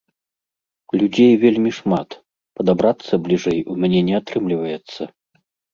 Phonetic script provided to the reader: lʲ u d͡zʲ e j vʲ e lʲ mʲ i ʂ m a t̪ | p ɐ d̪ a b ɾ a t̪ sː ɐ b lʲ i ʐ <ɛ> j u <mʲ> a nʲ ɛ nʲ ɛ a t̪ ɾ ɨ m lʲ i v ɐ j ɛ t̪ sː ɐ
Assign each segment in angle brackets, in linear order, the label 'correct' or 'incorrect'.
correct, correct

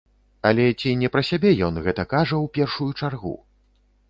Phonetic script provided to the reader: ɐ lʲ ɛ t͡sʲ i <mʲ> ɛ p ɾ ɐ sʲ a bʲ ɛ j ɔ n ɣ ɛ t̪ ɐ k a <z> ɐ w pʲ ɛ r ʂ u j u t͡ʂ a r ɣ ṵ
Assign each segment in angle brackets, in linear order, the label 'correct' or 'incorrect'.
incorrect, incorrect

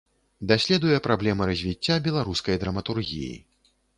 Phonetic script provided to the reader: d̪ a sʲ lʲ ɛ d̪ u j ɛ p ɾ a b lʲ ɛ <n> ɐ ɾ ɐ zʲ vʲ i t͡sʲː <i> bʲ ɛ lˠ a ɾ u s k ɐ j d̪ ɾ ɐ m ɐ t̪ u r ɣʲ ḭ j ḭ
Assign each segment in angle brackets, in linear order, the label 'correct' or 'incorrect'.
incorrect, incorrect

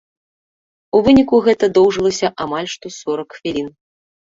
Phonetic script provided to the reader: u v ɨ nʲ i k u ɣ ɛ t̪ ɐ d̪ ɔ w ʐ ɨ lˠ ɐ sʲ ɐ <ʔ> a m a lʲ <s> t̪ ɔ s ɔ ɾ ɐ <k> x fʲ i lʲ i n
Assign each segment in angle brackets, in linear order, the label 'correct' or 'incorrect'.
correct, incorrect, correct

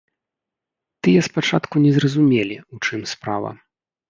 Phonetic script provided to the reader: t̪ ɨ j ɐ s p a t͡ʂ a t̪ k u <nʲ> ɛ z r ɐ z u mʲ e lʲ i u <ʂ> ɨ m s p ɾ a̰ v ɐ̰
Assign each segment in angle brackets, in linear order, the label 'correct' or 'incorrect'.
correct, incorrect

